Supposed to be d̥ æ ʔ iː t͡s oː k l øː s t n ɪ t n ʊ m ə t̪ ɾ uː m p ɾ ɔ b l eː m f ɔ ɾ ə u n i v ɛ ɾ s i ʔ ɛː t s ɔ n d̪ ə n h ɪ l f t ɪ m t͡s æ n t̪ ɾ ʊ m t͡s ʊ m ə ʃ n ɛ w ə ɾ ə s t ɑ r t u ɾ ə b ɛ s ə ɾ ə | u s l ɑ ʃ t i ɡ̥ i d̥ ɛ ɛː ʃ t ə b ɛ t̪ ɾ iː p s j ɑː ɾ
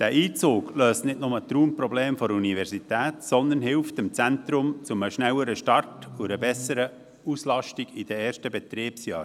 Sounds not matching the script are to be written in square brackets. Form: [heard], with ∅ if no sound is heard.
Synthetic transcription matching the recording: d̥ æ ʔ iː t͡s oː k l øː s t n ɪ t n ʊ m ə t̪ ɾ uː m p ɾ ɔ b l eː m f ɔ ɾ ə u n i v ɛ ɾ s i [t] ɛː t s ɔ n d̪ ə n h ɪ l f t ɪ m t͡s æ n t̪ ɾ ʊ m t͡s ʊ m ə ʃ n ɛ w ə ɾ ə [ʃ] t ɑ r t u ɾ ə b ɛ s ə ɾ ə | u s l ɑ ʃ t i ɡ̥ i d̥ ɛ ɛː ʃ t ə b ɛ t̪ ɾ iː p s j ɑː ɾ